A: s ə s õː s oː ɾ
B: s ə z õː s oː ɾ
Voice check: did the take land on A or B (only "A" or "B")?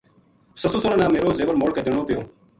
A